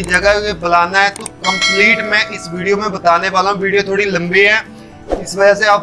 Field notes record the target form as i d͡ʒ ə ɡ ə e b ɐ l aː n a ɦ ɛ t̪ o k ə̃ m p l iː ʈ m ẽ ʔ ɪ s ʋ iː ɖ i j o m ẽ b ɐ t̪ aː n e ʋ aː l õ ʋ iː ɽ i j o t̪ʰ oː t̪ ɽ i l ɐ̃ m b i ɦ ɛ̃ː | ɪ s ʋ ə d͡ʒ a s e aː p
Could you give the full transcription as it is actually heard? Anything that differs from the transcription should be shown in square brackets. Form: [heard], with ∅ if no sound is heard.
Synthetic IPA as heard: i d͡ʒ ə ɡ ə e b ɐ l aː n a ɦ ɛ t̪ o k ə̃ m p l iː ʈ m ẽ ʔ ɪ s ʋ iː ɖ i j o m ẽ b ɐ t̪ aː n e ʋ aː l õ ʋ iː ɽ i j o t̪ʰ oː [∅] ɽ i l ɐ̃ m b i ɦ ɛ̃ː | ɪ s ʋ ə d͡ʒ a s e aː p